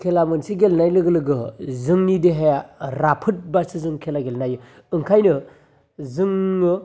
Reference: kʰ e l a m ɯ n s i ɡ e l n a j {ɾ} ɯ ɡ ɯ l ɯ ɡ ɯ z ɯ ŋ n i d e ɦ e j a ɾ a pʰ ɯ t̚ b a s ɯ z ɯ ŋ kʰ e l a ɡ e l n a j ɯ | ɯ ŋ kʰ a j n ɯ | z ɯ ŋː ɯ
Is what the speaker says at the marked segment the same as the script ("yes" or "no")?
no